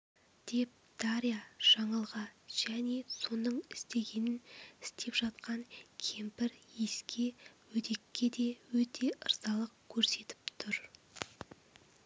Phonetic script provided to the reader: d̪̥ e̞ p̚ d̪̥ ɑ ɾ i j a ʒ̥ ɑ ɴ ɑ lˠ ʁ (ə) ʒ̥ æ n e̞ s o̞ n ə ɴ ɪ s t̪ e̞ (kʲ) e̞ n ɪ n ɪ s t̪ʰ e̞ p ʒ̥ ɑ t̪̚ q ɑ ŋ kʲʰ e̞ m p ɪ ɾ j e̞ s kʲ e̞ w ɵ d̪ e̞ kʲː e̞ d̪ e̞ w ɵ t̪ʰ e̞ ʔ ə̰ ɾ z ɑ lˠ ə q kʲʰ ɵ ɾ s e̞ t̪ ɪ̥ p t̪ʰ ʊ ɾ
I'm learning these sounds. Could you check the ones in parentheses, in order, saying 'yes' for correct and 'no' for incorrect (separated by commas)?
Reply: no, no